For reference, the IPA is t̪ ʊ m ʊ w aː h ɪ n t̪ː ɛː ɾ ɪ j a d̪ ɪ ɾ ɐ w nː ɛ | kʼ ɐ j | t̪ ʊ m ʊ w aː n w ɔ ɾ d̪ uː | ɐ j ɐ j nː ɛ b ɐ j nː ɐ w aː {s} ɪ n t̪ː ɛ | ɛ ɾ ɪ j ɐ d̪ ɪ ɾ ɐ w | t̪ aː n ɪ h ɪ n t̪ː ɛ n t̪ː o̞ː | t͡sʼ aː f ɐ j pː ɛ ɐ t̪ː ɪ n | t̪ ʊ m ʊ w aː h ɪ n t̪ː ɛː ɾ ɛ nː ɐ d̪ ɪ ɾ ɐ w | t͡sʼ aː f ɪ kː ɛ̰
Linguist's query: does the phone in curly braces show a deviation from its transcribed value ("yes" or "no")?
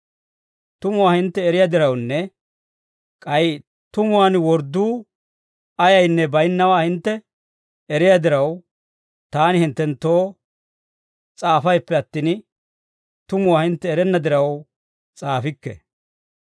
yes